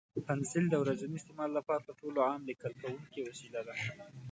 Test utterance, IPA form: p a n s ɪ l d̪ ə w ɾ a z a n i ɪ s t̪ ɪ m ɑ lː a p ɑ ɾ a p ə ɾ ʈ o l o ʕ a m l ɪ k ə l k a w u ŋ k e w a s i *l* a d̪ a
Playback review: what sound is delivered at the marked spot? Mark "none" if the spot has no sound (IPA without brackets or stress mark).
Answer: l